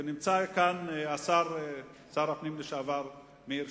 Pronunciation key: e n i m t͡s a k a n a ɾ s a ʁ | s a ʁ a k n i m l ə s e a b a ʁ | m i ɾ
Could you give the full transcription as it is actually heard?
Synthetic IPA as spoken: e n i m t͡s a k a n a s a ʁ | s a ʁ a p n i m l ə ʃ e a v a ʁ | m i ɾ